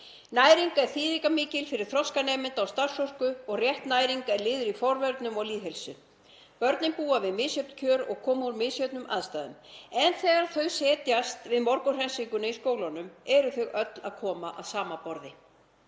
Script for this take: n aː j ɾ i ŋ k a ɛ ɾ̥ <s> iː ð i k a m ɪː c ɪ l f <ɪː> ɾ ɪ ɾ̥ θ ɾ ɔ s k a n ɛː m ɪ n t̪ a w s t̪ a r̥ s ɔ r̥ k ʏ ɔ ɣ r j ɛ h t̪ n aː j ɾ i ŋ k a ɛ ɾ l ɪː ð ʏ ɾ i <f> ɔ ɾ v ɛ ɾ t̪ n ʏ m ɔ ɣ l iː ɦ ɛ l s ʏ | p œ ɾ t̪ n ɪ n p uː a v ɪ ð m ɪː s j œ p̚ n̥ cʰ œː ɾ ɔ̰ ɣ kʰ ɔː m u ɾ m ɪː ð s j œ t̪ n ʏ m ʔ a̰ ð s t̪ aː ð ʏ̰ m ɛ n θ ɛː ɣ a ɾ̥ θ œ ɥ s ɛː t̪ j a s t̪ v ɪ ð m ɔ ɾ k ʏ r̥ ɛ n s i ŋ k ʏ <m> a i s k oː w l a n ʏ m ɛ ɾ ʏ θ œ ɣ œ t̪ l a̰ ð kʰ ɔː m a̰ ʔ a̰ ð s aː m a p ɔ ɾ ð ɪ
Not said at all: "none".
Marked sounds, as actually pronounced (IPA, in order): θ, ɪ, f, n

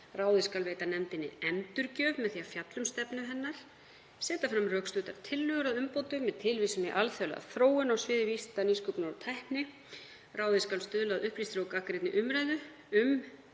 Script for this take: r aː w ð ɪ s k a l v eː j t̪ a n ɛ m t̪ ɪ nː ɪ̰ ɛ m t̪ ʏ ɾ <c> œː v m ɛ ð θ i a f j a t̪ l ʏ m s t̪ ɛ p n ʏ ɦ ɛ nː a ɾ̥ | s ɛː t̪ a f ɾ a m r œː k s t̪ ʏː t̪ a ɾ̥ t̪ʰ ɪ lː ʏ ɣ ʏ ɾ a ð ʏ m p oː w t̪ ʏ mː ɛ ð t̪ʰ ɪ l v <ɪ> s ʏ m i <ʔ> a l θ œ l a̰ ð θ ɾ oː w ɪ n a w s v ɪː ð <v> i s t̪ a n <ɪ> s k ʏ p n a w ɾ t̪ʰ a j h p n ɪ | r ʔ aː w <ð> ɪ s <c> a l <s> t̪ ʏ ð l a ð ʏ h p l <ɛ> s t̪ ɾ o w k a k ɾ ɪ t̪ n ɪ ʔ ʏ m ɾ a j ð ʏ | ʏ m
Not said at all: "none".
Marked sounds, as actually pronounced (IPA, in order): c, i, ʔ, v, i, ð, k, s, i

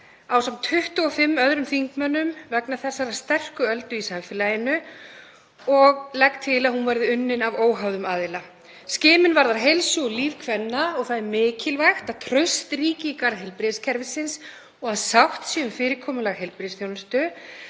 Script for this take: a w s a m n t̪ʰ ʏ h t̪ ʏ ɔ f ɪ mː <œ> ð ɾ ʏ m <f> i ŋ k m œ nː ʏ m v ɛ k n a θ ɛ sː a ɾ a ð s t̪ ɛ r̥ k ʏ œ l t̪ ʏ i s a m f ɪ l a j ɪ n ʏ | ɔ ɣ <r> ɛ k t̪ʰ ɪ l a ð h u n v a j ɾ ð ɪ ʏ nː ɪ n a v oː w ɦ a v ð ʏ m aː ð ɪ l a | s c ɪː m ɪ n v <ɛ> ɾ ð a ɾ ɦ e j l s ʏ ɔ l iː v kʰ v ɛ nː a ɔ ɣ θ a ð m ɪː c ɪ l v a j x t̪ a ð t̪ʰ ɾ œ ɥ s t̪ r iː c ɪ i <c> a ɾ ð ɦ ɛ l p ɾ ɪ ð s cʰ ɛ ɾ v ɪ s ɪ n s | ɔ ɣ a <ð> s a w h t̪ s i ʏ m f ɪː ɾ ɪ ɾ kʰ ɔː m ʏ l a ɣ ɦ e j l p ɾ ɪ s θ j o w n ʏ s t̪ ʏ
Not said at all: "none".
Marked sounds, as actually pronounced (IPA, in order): œ, θ, l, a, k, ð

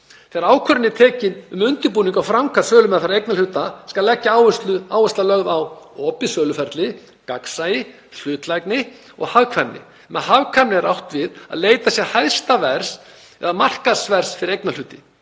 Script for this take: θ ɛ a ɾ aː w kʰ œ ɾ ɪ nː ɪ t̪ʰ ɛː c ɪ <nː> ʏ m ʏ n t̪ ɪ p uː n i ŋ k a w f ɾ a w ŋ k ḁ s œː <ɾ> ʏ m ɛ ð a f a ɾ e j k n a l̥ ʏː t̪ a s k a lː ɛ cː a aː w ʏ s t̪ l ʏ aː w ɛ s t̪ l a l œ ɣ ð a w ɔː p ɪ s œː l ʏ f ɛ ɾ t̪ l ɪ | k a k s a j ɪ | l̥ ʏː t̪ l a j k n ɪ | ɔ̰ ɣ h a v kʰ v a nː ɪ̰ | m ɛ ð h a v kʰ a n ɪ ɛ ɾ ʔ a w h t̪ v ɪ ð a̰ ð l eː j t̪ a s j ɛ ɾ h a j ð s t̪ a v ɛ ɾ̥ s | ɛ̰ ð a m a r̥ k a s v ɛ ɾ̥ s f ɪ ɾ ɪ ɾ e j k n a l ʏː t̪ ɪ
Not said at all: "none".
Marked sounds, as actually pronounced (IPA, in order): n, l

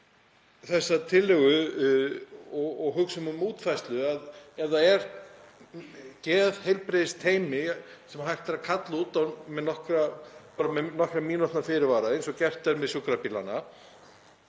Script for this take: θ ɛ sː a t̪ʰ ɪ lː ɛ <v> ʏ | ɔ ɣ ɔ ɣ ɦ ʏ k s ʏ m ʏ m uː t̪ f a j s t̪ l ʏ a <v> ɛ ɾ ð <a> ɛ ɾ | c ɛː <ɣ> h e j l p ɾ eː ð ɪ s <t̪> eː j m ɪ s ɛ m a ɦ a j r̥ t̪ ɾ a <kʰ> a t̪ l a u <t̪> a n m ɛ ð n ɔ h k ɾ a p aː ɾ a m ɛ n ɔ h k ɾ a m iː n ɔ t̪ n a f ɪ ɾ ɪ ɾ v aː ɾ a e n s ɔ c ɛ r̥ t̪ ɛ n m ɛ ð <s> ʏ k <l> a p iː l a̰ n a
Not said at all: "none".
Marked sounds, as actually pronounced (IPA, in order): ɣ, ð, a, ð, t̪ʰ, kʰ, t̪, s, ɾ

